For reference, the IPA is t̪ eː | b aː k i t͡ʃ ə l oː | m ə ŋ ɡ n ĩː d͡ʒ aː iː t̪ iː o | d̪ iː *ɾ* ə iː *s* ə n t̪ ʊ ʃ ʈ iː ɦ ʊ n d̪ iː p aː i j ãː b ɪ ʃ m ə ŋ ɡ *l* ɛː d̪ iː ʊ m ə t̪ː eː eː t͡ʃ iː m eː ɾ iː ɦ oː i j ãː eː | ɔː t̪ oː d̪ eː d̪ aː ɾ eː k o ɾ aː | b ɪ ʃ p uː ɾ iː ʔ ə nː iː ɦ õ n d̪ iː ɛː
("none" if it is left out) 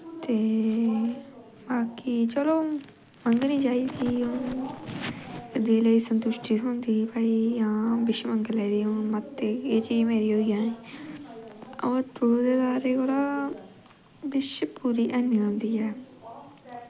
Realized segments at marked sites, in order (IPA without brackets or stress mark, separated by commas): l, s, l